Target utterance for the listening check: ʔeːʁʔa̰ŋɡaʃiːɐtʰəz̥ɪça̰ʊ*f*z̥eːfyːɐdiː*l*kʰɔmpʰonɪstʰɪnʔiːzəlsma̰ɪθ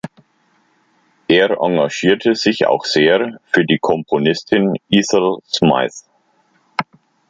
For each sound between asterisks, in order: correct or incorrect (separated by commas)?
incorrect, incorrect